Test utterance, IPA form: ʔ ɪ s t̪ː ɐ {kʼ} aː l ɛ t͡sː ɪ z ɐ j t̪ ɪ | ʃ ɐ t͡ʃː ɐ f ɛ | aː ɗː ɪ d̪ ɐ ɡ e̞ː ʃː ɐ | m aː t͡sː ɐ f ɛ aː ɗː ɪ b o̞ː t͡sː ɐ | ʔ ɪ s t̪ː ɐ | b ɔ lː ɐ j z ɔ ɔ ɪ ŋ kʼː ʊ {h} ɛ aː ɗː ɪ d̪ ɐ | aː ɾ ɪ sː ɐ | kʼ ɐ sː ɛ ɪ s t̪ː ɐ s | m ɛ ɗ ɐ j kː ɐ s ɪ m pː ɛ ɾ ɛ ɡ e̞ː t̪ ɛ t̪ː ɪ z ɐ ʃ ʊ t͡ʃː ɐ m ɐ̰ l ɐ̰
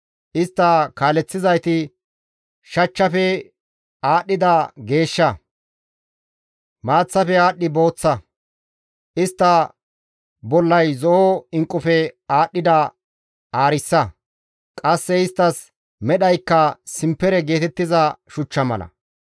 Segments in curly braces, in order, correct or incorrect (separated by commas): incorrect, incorrect